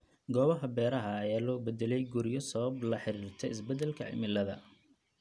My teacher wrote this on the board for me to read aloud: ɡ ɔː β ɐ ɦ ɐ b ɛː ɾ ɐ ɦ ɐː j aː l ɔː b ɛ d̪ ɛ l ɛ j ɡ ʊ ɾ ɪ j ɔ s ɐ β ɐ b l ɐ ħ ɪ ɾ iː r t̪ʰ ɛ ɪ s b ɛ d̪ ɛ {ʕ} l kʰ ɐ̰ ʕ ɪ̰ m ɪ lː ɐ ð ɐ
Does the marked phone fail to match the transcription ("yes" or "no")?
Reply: yes